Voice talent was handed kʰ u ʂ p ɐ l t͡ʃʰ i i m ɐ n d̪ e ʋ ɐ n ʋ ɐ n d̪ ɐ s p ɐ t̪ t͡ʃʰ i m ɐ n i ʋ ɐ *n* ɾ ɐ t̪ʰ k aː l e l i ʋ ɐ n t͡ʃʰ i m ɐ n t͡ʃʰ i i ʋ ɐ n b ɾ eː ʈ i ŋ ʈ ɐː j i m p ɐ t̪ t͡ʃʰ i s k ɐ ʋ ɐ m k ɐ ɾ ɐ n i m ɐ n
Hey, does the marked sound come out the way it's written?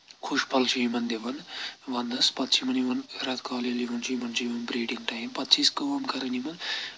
yes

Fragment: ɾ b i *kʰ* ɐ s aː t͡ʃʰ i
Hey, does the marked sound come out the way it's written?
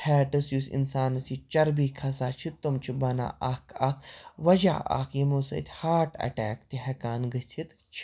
yes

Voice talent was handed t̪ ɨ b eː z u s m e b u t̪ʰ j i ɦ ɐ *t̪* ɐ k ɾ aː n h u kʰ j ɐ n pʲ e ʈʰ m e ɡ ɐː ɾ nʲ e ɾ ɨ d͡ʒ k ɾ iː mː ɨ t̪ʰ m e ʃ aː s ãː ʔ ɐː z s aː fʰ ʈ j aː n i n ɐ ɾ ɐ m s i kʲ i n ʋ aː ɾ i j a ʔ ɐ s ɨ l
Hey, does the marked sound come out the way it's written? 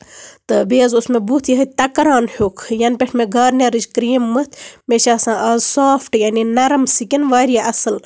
yes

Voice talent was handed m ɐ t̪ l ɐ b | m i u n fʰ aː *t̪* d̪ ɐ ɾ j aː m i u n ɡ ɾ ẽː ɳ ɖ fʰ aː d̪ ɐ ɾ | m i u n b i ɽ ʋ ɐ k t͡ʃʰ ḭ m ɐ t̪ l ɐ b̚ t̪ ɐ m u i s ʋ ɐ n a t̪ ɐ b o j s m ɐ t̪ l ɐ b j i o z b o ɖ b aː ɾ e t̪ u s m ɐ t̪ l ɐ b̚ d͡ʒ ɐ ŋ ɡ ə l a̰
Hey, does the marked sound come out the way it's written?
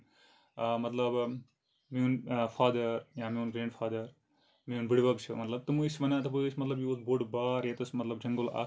no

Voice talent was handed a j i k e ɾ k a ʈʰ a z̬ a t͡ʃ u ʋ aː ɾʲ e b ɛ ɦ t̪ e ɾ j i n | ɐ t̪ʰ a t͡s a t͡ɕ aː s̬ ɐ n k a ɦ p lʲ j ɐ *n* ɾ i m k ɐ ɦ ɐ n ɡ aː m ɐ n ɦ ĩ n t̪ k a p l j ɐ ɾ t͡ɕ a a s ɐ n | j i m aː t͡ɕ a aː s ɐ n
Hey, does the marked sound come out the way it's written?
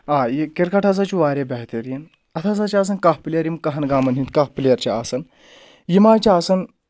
no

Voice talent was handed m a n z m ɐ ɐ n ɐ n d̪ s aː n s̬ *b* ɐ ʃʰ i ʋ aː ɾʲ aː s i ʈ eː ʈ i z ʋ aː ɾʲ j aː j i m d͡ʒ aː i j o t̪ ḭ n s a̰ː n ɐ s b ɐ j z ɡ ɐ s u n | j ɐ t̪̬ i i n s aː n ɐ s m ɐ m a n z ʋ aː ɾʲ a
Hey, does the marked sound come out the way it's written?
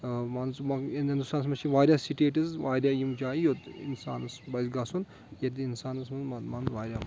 no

